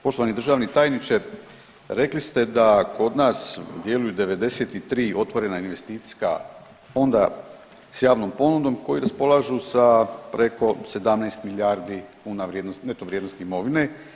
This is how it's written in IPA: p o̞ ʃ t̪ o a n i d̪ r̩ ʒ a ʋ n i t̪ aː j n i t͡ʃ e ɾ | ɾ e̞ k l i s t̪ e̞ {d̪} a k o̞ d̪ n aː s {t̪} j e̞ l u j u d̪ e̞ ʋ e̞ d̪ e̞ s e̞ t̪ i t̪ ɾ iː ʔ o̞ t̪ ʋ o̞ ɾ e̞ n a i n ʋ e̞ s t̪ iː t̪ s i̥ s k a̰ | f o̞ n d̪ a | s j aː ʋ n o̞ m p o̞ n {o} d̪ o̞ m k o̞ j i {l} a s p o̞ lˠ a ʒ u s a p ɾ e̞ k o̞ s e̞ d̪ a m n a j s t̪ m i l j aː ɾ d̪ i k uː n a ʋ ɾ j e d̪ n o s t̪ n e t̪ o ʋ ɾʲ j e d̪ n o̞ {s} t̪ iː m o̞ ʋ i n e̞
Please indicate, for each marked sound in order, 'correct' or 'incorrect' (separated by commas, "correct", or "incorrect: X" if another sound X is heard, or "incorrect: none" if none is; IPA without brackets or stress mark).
correct, incorrect: d̪, incorrect: u, incorrect: ɾ, correct